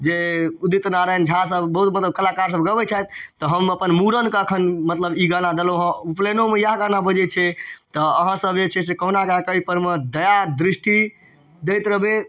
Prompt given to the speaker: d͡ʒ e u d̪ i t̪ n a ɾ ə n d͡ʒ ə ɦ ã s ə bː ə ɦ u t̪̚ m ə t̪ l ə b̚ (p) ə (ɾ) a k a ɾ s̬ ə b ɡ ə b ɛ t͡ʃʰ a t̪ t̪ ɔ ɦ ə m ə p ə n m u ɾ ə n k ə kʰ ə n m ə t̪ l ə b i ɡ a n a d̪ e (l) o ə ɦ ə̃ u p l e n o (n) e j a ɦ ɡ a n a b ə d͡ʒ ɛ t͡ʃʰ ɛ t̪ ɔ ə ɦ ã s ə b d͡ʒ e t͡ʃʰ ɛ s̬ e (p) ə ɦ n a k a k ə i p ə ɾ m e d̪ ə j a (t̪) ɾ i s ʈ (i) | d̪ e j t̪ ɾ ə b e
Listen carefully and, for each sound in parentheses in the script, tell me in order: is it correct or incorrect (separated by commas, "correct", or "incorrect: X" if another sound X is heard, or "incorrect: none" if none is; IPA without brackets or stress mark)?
incorrect: k, incorrect: l, correct, incorrect: m, incorrect: k, incorrect: d̪, correct